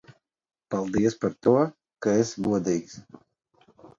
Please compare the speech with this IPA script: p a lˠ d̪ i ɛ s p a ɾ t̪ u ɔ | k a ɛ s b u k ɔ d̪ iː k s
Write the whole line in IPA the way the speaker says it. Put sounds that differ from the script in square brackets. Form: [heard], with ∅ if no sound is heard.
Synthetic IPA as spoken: p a lˠ d̪ i ɛ s p a ɾ t̪ u ɔ | k a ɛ s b u [∅] ɔ d̪ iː k s